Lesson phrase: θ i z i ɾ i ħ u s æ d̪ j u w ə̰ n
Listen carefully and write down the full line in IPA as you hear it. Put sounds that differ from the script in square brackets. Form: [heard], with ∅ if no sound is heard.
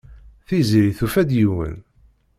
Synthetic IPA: θ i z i ɾ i [θ] u [f] æ d̪ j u w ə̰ n

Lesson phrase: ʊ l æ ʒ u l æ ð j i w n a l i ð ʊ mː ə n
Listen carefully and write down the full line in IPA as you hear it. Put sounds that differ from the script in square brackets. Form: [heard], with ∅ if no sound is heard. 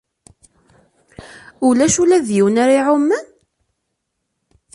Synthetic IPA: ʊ l æ [ʃ] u l æ ð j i w n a [ɾ] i [ʕ] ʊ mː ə n

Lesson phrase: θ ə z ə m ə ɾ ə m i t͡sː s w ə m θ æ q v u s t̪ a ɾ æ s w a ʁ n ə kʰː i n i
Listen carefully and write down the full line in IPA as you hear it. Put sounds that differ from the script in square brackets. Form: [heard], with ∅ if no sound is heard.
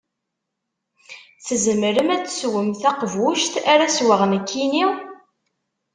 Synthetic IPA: θ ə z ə m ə ɾ ə m [æ] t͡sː s w ə m θ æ q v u [ʃ] t̪ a ɾ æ s w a ʁ n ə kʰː i n i

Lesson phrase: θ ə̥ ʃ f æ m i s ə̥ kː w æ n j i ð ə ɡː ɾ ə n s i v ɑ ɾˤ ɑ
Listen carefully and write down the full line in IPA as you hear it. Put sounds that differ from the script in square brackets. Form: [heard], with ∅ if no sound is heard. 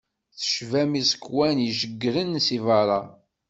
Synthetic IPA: θ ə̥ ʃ [v] æ m i s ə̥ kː w æ n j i [ʒ] ə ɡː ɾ ə n s i v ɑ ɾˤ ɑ

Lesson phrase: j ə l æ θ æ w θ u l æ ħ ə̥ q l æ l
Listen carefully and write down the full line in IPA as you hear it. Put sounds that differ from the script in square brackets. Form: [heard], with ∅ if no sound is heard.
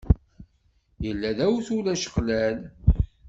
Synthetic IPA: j ə [lː] æ [ð] æ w θ u l æ [ʃ] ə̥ q l æ l

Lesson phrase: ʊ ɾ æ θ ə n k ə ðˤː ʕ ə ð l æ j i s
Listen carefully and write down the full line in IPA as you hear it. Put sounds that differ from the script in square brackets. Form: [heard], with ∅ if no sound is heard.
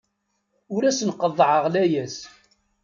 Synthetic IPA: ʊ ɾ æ [s] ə n [q] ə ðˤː ʕ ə [ʁ] l æ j [æ] s

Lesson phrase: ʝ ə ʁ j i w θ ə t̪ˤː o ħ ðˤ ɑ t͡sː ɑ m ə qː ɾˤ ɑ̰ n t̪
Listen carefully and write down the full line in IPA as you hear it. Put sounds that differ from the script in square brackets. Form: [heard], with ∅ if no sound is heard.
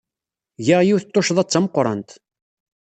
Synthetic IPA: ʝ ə ʁ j i w θ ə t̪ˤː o [ʃ] ðˤ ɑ t͡sː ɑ m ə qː ɾˤ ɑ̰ n t̪

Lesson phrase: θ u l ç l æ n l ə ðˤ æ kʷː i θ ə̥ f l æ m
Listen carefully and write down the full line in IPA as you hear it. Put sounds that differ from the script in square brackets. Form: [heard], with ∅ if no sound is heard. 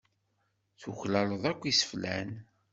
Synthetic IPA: θ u [∅] ç l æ [∅] l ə ðˤ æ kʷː i [s] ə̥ f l æ [n]

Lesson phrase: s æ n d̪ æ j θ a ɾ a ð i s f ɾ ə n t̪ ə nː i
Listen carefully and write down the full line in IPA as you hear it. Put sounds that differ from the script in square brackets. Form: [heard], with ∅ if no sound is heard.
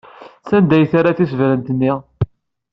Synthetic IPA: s æ n d̪ æ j θ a ɾ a [θ] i s [v] ɾ ə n t̪ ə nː i

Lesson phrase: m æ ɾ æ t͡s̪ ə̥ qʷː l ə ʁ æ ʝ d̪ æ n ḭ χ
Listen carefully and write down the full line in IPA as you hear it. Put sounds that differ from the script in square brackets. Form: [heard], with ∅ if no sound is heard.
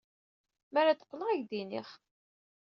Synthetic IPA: m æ ɾ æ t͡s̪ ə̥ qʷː l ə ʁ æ ʝ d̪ [i] n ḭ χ

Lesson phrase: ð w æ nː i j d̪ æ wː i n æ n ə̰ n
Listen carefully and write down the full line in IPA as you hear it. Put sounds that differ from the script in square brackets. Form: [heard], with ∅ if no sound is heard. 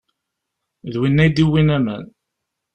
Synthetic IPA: ð w [i] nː [æ] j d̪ [i] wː i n æ [m] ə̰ n

